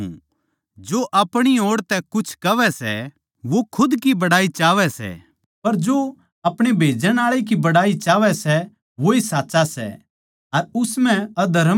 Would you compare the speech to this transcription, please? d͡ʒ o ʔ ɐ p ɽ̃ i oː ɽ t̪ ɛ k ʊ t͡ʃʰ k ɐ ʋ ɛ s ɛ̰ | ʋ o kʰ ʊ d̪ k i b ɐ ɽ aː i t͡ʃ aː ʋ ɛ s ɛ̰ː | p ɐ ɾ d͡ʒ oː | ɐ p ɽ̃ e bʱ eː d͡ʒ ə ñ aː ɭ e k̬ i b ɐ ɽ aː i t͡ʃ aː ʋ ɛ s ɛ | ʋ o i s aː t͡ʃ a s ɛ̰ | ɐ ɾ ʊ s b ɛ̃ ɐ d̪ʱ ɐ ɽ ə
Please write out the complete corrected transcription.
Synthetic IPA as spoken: d͡ʒ o ʔ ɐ p ɽ̃ i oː ɽ t̪ ɛ k ʊ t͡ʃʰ k ɐ ʋ ɛ s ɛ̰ | ʋ o kʰ ʊ d̪ k i b ɐ ɽ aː i t͡ʃ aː ʋ ɛ s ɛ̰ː | p ɐ ɾ d͡ʒ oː | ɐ p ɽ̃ e bʱ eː d͡ʒ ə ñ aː ɭ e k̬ i b ɐ ɽ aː i t͡ʃ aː ʋ ɛ s ɛ | ʋ o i s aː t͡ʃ a s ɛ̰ | ɐ ɾ ʊ s m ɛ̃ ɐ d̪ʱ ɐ ɾ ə